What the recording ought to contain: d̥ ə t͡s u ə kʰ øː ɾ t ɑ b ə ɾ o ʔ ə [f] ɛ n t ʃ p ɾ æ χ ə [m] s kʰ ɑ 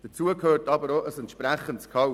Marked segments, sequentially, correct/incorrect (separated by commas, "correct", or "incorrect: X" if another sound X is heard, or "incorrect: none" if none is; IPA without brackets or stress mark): incorrect: s, incorrect: n